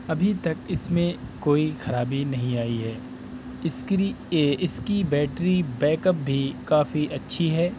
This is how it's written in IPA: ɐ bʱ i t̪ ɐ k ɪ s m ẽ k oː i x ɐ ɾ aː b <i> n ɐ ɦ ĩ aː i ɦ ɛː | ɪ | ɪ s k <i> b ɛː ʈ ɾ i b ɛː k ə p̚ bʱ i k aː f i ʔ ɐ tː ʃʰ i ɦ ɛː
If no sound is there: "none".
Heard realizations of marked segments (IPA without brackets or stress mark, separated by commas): i, i